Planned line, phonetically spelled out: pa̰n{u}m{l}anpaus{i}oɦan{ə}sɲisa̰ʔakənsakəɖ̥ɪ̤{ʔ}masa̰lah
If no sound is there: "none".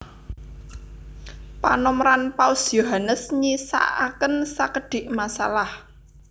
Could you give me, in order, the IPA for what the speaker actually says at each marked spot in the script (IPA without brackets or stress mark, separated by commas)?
ɔ, ɾ, j, ə, ʔ